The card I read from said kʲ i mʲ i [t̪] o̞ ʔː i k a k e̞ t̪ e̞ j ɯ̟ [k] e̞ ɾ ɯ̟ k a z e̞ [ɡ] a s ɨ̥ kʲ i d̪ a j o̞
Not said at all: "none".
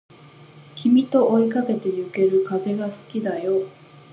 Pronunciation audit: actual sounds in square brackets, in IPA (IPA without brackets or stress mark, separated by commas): t̪, k, ɡ